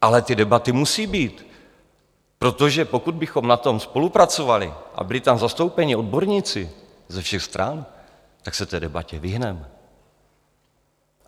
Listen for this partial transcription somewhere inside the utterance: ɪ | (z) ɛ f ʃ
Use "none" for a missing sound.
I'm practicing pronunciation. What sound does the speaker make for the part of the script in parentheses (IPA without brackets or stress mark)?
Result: z